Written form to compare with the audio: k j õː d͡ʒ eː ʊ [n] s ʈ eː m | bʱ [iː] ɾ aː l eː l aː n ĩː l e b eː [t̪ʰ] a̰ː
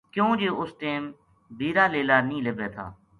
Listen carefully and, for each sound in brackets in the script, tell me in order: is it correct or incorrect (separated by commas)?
incorrect, correct, correct